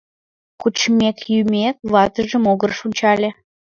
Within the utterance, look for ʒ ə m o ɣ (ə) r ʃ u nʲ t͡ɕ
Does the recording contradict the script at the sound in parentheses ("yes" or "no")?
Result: no